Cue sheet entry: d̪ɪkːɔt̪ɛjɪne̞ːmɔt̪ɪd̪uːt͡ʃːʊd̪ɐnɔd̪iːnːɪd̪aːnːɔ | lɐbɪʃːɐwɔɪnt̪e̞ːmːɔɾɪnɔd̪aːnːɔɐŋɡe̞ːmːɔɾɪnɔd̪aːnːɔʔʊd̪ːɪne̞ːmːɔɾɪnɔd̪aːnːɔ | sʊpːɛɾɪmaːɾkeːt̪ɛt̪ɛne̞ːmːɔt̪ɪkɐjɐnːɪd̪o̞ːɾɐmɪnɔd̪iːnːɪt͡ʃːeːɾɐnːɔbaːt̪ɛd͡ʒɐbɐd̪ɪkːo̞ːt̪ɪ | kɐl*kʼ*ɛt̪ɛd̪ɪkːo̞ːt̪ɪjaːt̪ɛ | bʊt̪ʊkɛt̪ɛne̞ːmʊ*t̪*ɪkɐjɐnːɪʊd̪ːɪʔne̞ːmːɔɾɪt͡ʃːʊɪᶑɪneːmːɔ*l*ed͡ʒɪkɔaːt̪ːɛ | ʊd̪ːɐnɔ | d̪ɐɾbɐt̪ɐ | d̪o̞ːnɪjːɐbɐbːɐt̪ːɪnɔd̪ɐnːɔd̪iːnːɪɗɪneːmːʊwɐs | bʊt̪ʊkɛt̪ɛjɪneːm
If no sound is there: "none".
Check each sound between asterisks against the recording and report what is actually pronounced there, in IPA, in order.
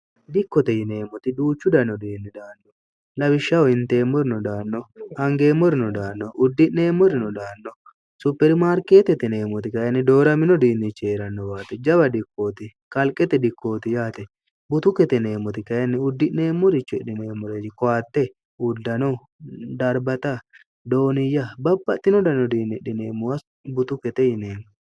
kʼ, t̪, ɾ

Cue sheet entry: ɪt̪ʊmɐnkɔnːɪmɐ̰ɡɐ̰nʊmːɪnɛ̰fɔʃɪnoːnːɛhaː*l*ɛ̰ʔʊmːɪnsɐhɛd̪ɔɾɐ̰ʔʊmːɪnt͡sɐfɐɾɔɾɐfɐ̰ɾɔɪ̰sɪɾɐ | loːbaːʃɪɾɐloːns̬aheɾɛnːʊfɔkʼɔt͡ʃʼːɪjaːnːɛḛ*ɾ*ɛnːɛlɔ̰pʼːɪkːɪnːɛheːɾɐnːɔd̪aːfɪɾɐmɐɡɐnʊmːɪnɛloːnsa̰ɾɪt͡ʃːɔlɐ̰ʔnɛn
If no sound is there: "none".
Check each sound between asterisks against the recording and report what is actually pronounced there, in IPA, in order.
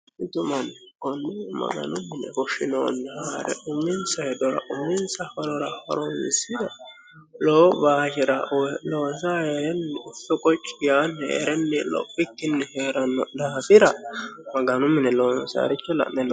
ɾ, ɾ

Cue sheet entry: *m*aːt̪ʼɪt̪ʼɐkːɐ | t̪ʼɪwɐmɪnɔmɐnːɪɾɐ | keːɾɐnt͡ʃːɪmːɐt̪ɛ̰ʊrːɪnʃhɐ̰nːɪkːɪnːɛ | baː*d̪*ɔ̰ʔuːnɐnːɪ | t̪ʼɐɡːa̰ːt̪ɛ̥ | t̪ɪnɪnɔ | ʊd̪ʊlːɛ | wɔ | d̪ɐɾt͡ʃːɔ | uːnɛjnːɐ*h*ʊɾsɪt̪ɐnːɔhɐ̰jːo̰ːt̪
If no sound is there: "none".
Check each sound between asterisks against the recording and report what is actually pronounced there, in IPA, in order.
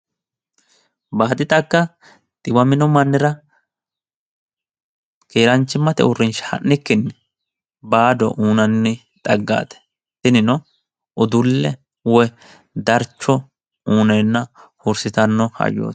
b, d̪, h

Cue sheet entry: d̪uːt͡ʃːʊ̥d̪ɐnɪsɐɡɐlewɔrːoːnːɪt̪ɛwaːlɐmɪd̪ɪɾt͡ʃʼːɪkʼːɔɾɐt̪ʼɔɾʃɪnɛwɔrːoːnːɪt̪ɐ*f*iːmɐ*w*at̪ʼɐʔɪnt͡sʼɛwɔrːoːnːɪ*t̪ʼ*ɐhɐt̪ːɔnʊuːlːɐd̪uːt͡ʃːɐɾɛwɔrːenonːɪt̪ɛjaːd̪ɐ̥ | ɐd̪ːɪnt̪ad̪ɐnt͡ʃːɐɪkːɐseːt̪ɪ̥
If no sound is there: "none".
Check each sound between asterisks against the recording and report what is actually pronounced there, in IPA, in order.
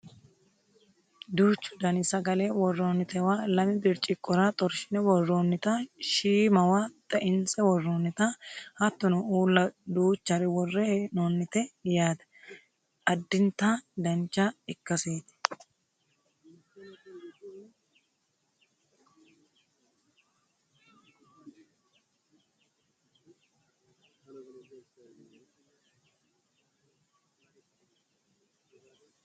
ʃ, w, t̪

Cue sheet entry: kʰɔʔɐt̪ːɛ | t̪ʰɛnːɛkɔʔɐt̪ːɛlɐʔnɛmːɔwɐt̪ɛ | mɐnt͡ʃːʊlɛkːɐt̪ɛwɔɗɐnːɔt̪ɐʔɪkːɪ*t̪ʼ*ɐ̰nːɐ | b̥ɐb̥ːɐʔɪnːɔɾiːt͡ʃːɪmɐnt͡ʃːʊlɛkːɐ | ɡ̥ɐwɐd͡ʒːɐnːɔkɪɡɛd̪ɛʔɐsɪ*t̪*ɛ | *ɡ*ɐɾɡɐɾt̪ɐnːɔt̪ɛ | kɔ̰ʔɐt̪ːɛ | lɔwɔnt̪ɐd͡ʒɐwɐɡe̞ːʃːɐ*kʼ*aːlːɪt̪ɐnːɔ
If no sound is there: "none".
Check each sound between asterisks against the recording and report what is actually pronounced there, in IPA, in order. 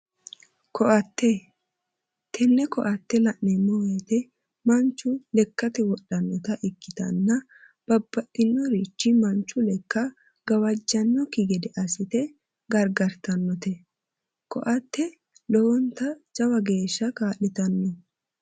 t̪, t̪, ɡ, k

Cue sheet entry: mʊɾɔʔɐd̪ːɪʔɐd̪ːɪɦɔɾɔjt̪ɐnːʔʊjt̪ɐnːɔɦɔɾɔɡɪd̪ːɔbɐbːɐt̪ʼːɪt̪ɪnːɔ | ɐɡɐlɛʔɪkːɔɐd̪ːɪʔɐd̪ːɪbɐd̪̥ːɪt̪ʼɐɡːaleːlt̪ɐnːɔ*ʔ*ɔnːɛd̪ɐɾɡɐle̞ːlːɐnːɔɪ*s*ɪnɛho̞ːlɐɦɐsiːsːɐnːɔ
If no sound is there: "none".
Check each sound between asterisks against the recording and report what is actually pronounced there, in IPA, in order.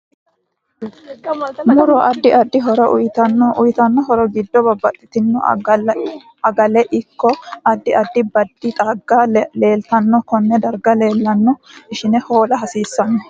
k, ʃ

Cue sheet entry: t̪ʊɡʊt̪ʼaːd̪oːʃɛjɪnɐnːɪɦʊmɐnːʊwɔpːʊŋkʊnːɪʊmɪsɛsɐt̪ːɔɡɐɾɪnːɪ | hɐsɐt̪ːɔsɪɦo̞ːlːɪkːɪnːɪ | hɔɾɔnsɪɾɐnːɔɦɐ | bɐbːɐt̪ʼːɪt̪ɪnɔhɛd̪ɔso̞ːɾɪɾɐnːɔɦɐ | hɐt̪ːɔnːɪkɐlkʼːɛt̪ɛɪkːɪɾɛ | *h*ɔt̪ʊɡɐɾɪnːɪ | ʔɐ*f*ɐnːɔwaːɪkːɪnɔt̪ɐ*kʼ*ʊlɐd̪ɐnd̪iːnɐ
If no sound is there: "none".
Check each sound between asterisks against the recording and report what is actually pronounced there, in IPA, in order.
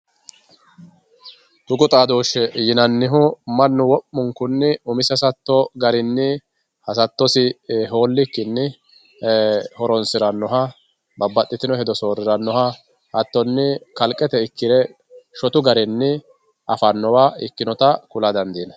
ʃ, f, k

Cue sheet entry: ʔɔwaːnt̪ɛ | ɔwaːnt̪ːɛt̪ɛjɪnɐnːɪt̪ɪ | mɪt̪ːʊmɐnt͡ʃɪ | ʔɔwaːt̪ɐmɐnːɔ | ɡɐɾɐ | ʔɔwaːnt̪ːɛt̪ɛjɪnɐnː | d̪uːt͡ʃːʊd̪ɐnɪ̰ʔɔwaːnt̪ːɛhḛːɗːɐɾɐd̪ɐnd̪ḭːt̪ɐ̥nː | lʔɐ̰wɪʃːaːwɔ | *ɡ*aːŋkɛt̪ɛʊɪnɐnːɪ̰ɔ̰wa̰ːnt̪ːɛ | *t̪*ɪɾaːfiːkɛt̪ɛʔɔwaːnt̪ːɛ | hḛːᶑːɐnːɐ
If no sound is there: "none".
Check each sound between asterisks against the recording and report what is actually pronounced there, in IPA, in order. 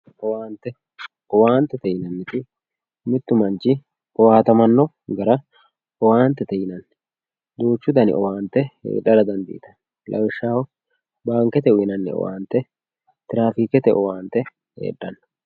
b, t̪

